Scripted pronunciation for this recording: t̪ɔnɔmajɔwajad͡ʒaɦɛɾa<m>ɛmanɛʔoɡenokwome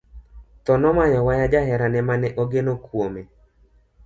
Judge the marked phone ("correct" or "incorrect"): incorrect